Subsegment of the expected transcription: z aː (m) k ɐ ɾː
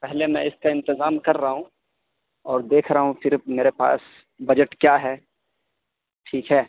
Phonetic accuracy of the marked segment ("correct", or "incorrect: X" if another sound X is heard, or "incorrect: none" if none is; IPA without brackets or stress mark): correct